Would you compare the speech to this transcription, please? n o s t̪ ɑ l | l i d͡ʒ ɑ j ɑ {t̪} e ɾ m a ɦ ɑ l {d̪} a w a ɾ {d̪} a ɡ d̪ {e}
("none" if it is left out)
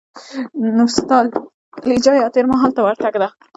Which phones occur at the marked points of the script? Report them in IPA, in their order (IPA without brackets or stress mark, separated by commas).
t̪, t̪, t̪, a